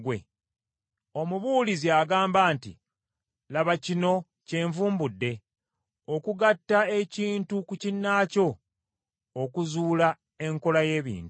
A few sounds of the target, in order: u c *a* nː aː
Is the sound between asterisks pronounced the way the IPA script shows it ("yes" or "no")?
no